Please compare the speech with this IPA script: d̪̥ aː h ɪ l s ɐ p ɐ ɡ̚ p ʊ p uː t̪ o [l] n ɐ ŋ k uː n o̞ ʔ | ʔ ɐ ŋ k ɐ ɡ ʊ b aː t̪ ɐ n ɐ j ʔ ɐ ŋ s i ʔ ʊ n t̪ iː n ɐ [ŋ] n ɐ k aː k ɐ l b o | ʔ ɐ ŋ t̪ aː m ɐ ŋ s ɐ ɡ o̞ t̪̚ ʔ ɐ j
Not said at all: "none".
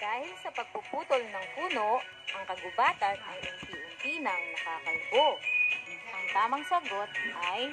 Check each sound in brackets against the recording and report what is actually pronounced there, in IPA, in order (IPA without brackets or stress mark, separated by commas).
l, ŋ